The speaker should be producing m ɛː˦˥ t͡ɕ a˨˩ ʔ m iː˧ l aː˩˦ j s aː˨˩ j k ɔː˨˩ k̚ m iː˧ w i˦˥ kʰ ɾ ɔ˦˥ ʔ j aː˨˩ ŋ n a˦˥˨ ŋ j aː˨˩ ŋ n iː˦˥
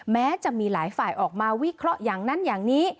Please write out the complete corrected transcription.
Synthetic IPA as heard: m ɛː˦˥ t͡ɕ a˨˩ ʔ m iː˧ l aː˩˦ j f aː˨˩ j ʔ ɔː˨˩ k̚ m aː˧ w i˦˥ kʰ ɾ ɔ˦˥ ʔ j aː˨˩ ŋ n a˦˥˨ n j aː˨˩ ŋ n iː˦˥